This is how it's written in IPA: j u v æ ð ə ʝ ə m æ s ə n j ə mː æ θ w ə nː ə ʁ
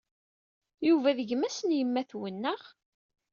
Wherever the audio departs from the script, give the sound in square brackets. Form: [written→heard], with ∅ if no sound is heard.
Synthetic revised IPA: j u v æ ð ə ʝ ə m æ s ə n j ə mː æ θ w ə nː ə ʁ